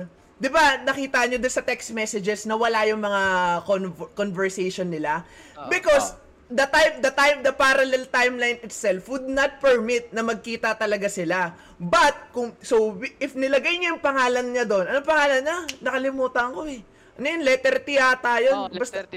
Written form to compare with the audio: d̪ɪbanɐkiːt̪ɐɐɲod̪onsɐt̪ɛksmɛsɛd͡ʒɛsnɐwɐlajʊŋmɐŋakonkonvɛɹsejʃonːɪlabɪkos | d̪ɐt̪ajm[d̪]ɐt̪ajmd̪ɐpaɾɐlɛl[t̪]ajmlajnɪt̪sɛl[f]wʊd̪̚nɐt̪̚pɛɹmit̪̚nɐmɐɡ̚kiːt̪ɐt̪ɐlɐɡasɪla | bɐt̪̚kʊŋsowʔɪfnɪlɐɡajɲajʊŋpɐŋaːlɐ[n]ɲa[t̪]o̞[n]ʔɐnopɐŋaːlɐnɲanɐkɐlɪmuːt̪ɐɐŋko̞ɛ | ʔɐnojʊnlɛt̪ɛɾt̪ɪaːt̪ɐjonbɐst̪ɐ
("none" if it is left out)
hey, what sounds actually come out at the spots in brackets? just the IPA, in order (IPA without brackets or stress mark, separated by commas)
d̪, t̪, f, n, d̪, n